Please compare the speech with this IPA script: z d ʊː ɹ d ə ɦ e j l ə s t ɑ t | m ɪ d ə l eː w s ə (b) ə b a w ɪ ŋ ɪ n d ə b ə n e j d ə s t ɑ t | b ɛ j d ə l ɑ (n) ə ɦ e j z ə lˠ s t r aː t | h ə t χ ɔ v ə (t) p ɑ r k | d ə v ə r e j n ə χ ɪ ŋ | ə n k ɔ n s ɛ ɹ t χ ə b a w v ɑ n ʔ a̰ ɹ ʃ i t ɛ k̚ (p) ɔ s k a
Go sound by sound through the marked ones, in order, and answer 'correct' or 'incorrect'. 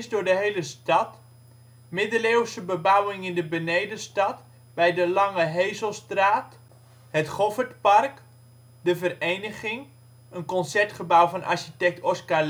correct, incorrect, correct, incorrect

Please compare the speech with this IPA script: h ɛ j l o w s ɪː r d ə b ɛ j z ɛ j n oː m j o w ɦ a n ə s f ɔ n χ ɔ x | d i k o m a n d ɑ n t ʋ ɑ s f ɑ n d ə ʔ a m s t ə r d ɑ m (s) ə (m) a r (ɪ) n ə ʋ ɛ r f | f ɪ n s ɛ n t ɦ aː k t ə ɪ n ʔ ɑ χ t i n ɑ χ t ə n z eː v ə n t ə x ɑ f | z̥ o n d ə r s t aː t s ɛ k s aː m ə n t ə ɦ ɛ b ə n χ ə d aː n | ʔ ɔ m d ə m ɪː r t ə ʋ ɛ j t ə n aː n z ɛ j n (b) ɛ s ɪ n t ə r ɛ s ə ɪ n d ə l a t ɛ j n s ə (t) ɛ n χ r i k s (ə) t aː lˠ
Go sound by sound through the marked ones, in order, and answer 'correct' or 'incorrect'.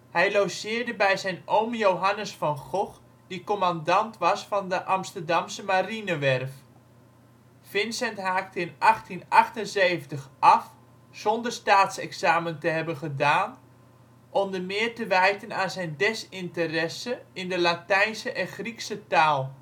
correct, correct, incorrect, incorrect, incorrect, correct

